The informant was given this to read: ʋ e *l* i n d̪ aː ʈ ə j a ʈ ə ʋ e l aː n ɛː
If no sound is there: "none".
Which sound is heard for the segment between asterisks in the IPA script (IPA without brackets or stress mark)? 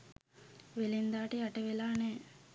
l